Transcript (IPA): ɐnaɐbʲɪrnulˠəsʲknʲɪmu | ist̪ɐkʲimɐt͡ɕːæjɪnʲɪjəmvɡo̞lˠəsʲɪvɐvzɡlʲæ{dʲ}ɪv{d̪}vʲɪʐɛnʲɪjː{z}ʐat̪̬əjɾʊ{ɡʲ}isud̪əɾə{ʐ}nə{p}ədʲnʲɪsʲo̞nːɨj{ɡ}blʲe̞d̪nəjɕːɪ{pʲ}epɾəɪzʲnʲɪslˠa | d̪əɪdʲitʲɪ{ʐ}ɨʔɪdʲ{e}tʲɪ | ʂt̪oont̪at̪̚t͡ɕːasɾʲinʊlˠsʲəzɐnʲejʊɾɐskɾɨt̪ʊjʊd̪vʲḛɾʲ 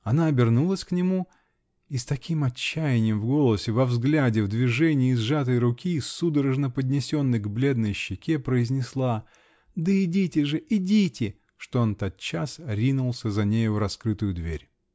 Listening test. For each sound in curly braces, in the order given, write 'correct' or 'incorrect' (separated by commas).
correct, correct, correct, incorrect, correct, correct, correct, incorrect, correct, incorrect